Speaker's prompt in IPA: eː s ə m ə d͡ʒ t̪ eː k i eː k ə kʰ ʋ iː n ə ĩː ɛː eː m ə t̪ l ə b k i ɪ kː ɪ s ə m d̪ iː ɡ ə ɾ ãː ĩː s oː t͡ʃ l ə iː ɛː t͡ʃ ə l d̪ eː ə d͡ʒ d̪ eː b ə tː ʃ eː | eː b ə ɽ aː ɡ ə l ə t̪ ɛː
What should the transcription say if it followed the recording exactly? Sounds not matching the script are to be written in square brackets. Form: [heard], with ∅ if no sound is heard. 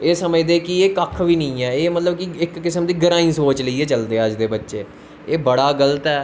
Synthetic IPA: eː s ə m ə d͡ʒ [d̪] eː k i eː k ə kʰ ʋ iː n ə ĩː ɛː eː m ə t̪ l ə b k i ɪ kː ɪ s ə m d̪ iː ɡ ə ɾ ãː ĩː s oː t͡ʃ l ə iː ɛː t͡ʃ ə l d̪ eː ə d͡ʒ d̪ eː b ə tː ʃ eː | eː b ə ɽ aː ɡ ə l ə t̪ ɛː